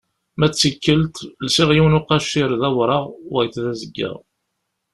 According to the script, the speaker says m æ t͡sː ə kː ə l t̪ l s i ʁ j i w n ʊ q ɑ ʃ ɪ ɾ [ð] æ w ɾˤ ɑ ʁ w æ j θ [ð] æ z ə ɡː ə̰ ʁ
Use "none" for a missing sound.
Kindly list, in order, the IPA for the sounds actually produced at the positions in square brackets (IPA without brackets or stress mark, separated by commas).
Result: ð, ð